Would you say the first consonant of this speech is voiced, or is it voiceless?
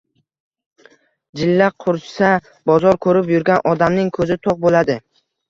voiced